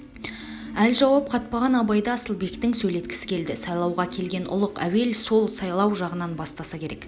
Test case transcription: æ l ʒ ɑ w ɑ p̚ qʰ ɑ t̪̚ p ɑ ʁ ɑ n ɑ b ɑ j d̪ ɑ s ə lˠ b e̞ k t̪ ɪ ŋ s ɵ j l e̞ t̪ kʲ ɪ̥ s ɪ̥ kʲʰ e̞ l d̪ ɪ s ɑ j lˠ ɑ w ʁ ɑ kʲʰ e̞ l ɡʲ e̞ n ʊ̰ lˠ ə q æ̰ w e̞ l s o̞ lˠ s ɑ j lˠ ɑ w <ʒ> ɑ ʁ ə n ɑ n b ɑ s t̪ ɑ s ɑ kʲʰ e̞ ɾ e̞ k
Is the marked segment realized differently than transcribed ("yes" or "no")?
no